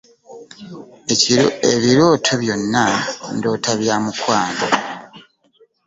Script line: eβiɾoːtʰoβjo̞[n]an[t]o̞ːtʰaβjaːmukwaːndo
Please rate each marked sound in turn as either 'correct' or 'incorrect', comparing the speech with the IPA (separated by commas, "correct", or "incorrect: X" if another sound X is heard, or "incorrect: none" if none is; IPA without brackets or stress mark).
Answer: incorrect: nː, incorrect: d